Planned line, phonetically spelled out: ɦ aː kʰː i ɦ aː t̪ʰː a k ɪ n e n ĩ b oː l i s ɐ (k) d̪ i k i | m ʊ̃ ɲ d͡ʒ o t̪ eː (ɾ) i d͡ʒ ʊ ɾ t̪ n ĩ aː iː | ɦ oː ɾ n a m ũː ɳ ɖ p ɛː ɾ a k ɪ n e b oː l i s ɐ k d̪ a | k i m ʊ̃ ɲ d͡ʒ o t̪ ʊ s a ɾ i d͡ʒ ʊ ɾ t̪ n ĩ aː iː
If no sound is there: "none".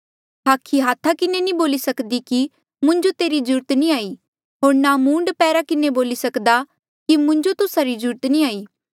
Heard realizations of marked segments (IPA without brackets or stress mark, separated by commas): k, ɾ